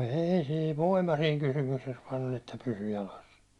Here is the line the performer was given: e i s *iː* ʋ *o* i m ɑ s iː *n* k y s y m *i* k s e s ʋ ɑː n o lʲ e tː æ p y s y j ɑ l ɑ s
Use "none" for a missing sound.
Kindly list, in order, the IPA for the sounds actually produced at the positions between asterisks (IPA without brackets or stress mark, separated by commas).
iː, o, ŋ, y